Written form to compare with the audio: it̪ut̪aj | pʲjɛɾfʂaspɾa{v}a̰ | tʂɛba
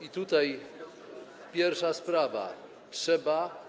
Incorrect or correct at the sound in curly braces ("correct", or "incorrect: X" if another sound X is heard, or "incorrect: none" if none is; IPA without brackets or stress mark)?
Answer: correct